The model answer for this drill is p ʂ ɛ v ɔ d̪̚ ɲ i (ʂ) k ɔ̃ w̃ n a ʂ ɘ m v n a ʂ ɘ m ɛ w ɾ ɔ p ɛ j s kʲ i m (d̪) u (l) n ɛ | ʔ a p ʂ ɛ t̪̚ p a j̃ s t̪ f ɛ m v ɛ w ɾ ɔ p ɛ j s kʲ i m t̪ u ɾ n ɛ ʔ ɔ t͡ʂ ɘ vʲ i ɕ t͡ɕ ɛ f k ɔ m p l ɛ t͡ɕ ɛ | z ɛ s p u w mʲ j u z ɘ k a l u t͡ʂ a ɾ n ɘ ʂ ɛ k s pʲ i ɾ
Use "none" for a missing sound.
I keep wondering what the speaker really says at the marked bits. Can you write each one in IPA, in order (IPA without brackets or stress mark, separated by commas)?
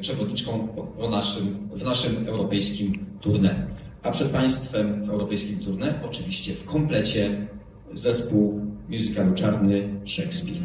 t͡ʂ, t̪, ɾ